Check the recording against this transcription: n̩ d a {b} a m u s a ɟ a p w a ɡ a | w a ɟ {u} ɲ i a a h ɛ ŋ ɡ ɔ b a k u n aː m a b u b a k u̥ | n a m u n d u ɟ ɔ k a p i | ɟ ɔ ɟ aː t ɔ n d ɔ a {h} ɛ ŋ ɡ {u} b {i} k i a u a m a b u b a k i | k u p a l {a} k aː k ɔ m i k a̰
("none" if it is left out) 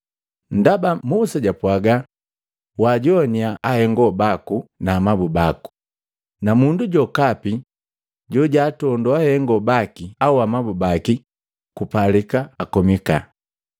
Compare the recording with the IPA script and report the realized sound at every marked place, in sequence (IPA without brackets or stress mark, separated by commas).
b, ɔ, h, ɔ, a, i